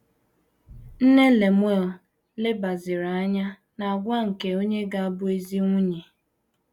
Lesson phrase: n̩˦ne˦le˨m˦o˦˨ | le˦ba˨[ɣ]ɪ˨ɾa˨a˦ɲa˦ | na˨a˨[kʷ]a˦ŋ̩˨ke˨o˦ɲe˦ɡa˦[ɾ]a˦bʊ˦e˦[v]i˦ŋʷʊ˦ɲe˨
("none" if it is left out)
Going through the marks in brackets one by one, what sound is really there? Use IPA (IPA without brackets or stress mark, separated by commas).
z, ɡʷ, none, z